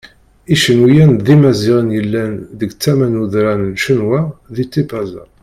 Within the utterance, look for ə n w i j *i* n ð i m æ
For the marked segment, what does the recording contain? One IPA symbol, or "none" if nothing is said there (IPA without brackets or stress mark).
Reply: æ